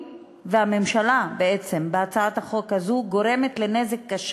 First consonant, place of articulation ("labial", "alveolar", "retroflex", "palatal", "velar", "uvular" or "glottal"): labial